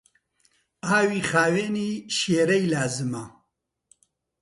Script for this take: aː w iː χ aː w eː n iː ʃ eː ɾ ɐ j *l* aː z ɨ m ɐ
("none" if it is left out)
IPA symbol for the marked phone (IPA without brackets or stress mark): l